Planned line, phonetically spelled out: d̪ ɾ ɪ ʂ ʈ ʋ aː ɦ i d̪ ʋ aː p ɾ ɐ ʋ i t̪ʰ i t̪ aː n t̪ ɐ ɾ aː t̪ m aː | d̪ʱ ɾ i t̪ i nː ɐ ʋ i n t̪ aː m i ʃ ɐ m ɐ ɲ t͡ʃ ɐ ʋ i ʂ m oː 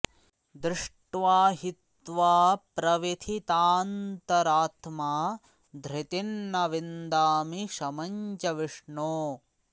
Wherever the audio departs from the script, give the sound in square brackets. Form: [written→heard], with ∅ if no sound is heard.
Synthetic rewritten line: d̪ ɾ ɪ ʂ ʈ ʋ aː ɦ i [d̪→t̪] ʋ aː p ɾ ɐ ʋ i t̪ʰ i t̪ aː n t̪ ɐ ɾ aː t̪ m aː | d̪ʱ ɾ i t̪ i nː ɐ ʋ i n [t̪→d̪] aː m i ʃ ɐ m ɐ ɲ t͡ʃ ɐ ʋ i ʂ [m→ɳ] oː